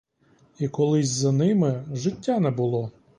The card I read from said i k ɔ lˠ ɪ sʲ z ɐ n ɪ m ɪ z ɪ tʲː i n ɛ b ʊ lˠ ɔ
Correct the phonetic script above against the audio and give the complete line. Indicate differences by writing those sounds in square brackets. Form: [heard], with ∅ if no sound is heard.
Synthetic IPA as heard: i k ɔ lˠ ɪ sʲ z ɐ n ɪ m ɪ [ʒ] ɪ tʲː [a] n ɛ b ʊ lˠ ɔ